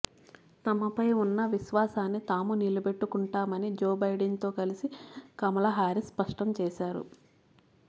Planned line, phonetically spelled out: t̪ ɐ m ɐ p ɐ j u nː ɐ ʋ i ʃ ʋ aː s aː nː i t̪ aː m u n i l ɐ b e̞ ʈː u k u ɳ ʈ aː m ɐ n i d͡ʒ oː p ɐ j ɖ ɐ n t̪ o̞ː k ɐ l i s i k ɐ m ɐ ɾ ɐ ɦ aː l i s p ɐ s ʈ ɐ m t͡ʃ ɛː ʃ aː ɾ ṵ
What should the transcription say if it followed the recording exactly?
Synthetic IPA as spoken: t̪ ɐ m ɐ p ɐ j u nː ɐ ʋ i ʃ ʋ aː s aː nː i t̪ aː m u n i l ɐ b e̞ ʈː u k u ɳ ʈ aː m ɐ n i d͡ʒ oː b ɐ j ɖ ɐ n t̪ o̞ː k ɐ l i s i k ɐ m ɐ l ɐ ɦ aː ɾ i s p ɐ ʂ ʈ ɐ m t͡ʃ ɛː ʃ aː ɾ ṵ